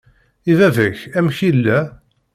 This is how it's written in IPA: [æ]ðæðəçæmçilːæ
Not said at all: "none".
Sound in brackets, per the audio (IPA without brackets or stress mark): i